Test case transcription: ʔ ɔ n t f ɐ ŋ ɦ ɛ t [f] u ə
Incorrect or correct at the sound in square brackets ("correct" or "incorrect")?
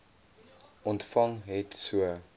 incorrect